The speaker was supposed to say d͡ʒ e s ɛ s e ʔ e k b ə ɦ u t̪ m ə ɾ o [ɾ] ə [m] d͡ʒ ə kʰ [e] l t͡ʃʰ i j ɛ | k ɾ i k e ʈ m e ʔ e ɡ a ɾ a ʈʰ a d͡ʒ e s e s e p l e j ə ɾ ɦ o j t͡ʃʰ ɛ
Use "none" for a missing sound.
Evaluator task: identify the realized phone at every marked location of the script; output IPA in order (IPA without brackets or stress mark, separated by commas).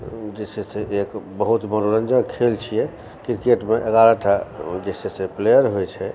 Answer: ɾ, n, e